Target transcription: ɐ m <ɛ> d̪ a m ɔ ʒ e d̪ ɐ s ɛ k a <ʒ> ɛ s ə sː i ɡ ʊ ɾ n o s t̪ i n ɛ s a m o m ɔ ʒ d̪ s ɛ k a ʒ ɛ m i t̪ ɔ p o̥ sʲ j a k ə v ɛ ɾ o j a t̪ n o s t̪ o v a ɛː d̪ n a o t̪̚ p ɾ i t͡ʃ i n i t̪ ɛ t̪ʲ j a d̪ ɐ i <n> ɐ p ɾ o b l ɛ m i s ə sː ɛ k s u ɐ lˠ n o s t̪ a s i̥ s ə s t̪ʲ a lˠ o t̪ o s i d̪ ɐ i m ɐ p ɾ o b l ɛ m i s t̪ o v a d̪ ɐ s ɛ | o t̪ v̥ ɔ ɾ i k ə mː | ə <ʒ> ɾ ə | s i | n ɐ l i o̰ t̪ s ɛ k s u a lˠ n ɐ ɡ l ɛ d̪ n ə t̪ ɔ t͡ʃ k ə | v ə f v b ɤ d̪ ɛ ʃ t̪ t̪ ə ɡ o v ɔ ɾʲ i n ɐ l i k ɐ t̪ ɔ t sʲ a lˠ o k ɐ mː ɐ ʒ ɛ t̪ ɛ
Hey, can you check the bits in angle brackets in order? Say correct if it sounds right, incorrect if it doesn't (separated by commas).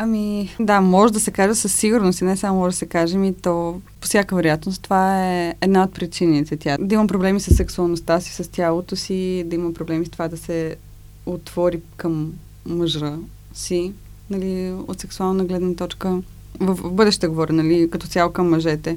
incorrect, correct, incorrect, correct